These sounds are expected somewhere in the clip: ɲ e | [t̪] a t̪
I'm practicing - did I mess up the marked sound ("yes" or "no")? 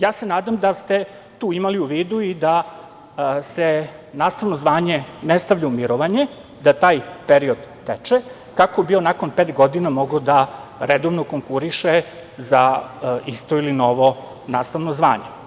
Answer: yes